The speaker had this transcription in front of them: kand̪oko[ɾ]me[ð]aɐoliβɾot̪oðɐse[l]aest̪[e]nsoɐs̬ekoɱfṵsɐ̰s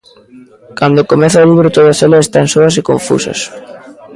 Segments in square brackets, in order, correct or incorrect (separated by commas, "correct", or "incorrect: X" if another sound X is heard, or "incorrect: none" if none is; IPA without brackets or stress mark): incorrect: none, incorrect: θ, correct, incorrect: a